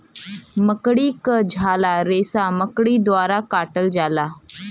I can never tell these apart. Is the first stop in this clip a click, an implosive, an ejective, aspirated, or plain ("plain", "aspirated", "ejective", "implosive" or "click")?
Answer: plain